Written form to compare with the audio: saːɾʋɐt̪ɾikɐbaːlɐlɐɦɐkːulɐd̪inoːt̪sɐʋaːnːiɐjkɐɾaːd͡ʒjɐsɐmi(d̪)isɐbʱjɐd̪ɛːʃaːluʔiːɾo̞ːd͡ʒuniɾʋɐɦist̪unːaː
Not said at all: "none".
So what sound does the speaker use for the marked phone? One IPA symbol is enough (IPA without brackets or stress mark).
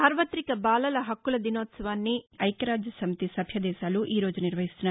t̪